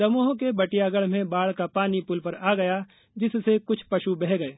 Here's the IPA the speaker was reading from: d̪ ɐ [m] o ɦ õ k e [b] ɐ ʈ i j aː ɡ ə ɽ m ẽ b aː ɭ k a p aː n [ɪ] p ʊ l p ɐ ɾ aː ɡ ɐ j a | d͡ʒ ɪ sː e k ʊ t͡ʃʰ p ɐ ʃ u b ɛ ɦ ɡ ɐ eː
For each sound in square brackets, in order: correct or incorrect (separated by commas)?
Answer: correct, correct, incorrect